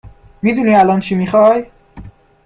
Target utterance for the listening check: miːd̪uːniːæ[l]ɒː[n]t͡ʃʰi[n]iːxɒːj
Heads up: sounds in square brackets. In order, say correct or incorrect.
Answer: correct, correct, incorrect: m

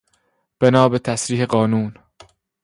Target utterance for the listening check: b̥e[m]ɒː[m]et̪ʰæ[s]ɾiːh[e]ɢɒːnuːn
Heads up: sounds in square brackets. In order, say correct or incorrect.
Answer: incorrect: n, incorrect: b, correct, correct

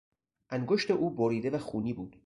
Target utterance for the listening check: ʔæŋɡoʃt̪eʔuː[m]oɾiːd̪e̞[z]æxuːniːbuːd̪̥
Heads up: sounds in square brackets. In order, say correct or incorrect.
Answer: incorrect: b, incorrect: v

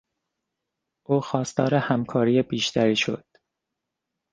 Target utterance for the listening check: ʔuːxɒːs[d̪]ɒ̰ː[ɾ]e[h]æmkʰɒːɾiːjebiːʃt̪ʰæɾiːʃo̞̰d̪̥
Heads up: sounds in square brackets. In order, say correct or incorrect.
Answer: incorrect: t̪, correct, correct

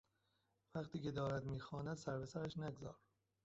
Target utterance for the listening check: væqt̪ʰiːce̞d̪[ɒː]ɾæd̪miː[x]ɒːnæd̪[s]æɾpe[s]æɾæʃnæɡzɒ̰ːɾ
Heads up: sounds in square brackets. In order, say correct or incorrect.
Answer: correct, correct, correct, correct

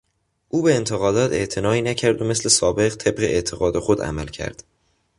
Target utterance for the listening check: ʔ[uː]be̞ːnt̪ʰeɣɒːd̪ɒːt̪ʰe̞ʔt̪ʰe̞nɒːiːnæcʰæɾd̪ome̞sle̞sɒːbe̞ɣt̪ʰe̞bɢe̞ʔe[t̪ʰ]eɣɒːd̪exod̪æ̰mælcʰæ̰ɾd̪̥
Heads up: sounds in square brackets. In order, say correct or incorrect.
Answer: correct, correct

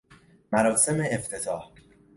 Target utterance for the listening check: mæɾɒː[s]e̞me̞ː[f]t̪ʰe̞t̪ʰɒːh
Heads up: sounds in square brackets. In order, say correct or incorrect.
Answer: correct, correct

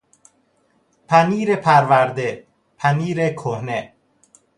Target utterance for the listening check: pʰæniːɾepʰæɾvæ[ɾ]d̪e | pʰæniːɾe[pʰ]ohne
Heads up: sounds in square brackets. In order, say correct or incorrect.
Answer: correct, incorrect: kʰ

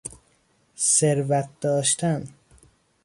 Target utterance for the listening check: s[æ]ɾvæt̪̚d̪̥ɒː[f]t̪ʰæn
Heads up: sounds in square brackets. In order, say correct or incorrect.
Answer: incorrect: e, incorrect: ʃ

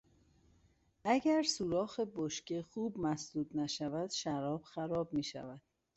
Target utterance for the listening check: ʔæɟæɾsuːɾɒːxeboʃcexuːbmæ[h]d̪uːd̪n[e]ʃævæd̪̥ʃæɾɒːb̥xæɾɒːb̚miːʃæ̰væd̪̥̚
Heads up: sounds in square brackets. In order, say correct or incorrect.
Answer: incorrect: s, incorrect: æ

